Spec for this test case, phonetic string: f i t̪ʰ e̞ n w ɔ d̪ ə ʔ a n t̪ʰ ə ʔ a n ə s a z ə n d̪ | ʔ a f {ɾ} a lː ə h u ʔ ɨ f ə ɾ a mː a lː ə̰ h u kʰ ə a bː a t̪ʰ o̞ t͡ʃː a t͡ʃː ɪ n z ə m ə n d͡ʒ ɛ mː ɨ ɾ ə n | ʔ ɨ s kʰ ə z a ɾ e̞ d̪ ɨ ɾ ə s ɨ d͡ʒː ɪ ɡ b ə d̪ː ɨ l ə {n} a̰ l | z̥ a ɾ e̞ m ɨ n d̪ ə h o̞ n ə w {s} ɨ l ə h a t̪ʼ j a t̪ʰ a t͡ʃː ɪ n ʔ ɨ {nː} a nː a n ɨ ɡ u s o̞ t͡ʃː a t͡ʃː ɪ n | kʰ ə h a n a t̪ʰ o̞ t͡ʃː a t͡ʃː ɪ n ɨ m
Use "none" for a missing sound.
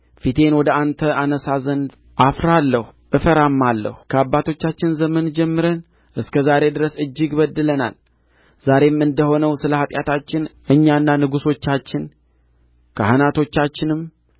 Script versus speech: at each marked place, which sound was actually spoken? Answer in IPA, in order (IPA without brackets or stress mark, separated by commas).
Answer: ɾ, n, s, ɲː